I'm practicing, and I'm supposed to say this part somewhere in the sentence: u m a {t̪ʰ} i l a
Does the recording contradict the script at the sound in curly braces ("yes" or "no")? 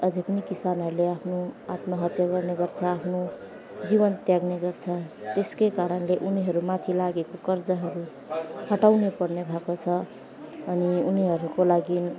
no